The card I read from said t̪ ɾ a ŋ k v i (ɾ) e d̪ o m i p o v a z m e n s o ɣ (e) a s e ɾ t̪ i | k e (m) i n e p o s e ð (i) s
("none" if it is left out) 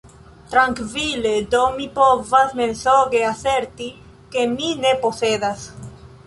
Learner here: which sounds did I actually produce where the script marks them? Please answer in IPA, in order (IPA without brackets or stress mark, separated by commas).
l, e, m, a